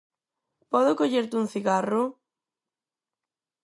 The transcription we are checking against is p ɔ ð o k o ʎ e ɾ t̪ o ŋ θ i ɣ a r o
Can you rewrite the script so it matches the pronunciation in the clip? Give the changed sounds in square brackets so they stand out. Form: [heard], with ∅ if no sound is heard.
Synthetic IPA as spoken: p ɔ ð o k o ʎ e ɾ t̪ [u] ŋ θ i ɣ a r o